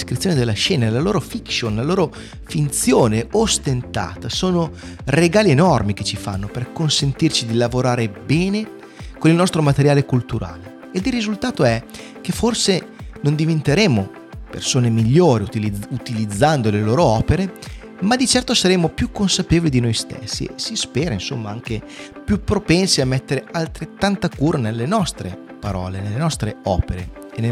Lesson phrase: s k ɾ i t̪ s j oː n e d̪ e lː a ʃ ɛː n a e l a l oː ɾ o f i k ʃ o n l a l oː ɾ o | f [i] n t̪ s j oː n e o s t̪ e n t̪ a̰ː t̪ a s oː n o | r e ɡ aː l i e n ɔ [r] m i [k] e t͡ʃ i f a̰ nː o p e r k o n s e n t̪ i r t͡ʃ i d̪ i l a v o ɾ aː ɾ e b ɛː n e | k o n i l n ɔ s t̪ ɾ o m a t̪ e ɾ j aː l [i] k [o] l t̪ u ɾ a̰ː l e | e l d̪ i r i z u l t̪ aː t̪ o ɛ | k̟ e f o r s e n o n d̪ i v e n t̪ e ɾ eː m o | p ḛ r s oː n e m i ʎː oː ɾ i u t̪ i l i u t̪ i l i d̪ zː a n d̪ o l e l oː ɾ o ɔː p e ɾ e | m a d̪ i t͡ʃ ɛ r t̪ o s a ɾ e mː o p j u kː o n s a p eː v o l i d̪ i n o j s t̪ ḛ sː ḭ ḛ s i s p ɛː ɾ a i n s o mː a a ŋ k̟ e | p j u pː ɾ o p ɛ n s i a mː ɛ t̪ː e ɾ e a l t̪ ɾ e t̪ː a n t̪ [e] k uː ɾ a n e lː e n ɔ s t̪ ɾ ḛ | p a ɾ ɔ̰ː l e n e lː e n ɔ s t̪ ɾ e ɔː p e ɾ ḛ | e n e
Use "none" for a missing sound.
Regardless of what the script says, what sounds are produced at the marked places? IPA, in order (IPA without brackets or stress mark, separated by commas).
i, r, k, e, u, a